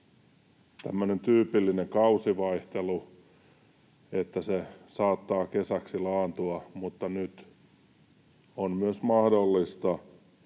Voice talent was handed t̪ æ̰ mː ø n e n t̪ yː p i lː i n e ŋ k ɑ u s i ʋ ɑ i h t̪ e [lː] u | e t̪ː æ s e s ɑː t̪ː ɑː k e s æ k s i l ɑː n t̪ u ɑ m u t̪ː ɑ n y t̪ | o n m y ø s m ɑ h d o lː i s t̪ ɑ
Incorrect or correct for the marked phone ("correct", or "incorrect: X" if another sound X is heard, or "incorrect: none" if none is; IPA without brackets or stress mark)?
incorrect: l